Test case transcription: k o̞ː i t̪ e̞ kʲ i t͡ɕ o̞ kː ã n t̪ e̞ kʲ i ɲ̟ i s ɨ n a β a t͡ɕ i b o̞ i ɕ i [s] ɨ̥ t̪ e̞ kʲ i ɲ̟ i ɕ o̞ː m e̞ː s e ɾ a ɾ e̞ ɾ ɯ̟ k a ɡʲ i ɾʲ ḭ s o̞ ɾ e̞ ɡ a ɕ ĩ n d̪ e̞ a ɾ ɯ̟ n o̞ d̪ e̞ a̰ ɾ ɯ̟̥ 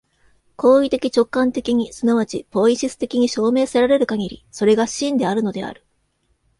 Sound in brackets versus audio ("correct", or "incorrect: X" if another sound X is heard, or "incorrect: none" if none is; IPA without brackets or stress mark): correct